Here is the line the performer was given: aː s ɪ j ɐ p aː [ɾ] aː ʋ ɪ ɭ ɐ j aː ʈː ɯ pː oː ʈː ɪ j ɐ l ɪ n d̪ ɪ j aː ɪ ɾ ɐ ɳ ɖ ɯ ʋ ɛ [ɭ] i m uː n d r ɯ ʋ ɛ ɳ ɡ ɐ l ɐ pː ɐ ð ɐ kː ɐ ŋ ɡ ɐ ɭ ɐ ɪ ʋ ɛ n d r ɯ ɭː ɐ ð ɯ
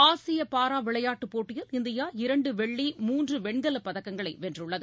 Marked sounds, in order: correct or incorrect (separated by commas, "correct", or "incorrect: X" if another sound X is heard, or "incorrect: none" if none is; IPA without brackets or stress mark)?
correct, incorrect: ɭː